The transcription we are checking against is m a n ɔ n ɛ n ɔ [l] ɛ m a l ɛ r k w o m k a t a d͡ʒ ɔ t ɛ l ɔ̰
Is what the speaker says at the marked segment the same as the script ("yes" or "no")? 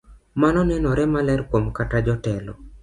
no